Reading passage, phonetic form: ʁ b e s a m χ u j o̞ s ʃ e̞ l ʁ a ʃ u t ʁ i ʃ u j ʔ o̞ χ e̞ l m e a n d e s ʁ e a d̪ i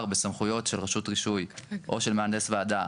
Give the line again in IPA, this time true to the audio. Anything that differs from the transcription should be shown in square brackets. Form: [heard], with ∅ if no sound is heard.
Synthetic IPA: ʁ b e s a m χ u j o̞ [t] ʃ e̞ l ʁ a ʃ u t ʁ i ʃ u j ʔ o̞ [ʃ] e̞ l m e a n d e s [v] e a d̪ [a]